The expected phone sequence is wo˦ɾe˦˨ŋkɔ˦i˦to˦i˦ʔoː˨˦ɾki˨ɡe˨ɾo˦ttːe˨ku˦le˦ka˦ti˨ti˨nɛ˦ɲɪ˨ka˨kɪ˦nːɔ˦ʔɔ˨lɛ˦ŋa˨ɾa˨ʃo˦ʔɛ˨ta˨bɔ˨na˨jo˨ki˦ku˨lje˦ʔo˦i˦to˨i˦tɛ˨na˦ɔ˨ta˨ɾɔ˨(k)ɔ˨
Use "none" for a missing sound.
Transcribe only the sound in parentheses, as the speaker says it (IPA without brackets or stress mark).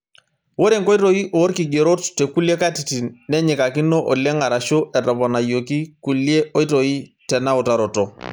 t